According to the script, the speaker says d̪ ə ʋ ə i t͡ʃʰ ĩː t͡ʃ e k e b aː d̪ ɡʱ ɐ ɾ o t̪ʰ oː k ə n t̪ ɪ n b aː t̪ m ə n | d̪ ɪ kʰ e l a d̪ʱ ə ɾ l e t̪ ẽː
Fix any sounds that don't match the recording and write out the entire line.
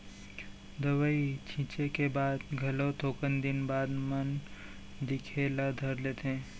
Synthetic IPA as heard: d̪ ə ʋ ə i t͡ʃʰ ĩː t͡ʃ e k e b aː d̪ ɡʱ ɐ l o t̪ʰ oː k ə n d̪ ɪ n b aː d̪ m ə n | d̪ ɪ kʰ e l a d̪ʱ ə ɾ l e t̪ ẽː